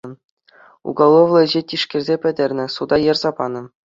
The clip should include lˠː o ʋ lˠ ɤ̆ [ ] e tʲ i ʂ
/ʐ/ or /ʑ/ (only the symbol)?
ʑ